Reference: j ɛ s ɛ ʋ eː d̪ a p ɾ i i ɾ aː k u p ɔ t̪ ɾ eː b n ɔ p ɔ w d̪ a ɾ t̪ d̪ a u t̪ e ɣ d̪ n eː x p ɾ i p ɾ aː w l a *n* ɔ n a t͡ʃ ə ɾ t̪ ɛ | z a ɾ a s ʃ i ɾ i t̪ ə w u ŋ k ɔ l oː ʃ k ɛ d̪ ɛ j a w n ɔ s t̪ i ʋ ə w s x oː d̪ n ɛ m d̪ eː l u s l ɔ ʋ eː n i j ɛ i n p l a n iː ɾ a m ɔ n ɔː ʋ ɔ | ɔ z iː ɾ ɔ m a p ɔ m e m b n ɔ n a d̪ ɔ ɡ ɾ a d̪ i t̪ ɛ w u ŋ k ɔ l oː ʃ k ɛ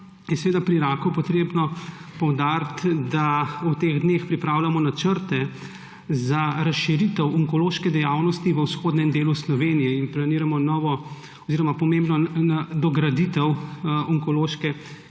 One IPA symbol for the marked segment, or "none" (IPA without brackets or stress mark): m